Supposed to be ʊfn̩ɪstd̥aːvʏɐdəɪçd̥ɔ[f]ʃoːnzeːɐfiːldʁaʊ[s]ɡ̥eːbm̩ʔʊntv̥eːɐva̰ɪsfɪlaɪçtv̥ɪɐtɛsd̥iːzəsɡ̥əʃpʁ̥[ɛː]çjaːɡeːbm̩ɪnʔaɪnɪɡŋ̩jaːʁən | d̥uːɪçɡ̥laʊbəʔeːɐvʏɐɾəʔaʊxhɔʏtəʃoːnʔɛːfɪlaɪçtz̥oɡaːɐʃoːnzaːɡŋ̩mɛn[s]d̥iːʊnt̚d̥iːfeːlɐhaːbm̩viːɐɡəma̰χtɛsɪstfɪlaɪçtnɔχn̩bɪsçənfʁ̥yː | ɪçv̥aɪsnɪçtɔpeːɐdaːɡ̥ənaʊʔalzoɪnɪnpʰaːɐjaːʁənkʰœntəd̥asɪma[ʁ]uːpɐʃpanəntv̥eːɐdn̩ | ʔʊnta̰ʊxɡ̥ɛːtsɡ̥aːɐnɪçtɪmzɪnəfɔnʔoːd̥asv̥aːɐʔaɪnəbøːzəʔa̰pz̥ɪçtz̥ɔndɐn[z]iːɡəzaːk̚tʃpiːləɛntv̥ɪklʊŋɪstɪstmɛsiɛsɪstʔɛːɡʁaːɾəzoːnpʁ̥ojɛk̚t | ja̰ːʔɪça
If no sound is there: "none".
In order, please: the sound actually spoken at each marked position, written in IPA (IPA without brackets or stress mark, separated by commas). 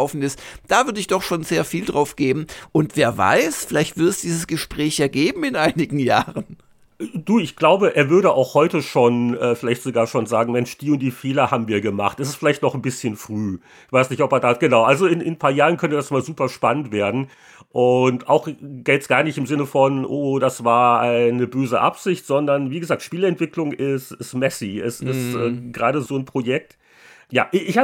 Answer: χ, f, ɛː, ʃ, z, v